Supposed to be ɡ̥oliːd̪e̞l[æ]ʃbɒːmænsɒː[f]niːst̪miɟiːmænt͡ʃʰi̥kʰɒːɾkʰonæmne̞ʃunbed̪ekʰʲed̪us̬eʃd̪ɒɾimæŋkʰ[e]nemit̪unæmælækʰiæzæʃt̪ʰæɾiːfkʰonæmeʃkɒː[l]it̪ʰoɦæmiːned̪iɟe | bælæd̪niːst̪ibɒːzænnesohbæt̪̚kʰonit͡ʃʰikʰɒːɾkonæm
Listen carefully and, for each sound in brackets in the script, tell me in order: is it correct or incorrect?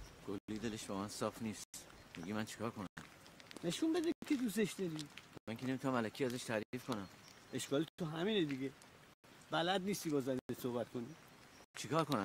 incorrect, correct, correct, correct

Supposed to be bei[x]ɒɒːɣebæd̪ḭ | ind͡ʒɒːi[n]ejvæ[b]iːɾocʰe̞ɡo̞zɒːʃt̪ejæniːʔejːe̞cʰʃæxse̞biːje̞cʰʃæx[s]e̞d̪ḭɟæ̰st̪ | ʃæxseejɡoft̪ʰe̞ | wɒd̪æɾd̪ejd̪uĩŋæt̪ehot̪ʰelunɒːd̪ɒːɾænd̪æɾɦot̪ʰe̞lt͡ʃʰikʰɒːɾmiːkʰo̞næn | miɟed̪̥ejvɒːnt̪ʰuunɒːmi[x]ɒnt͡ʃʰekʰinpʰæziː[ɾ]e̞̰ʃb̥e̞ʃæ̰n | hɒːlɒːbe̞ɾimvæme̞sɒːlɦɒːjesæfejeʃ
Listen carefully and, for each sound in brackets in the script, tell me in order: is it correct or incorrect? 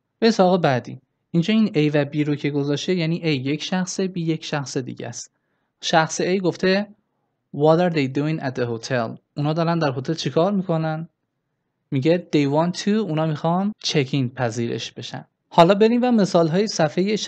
incorrect, correct, correct, correct, correct, correct

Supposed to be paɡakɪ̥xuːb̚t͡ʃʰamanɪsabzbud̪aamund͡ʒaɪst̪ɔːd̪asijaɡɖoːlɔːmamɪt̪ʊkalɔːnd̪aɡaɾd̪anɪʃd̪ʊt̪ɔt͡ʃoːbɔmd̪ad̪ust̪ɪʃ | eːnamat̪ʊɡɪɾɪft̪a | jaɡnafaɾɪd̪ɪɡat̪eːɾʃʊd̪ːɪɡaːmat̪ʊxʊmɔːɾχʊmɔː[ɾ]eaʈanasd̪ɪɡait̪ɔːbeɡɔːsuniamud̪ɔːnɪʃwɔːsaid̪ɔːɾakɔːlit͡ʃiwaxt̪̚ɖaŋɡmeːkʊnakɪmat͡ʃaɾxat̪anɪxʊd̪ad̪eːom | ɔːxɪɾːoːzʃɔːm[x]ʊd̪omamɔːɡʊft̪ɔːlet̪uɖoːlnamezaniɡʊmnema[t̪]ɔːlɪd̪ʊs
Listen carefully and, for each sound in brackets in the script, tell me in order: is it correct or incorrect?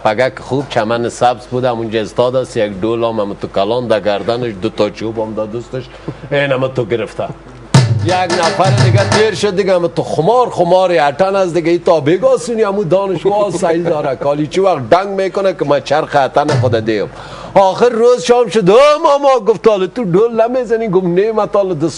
correct, incorrect, correct

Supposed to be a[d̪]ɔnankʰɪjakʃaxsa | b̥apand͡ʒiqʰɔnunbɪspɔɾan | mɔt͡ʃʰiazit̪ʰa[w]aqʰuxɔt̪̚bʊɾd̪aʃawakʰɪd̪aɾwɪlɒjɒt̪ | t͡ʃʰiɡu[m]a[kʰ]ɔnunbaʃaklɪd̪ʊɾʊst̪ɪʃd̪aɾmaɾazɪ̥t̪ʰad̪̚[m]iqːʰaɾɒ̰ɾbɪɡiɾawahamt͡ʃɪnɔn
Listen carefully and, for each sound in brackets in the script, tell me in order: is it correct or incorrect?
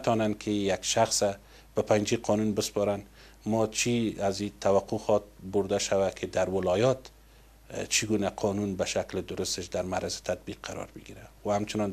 incorrect, correct, incorrect, incorrect, incorrect

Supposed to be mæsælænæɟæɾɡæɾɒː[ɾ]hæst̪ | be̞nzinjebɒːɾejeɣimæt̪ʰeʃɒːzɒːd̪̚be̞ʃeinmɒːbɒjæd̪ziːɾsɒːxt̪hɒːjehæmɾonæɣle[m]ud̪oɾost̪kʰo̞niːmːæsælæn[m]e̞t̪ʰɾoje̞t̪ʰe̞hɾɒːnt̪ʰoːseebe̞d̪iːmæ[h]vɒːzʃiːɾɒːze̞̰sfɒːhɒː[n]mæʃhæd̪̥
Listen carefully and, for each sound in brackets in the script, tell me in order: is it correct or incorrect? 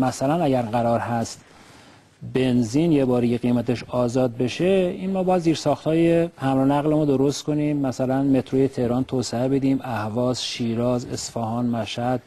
correct, correct, correct, correct, correct

